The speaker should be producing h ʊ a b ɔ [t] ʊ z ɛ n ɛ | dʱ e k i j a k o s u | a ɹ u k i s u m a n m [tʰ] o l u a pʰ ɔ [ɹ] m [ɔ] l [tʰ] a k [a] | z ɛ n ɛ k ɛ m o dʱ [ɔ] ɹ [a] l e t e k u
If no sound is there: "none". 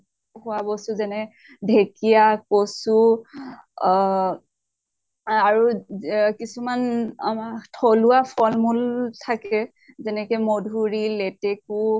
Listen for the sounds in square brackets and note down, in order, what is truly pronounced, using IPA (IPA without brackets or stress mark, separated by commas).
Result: s, tʰ, l, u, tʰ, ɛ, u, i